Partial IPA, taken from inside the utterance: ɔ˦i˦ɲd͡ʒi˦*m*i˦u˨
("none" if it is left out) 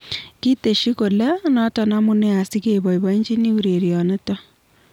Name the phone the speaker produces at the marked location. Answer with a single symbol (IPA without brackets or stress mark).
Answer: n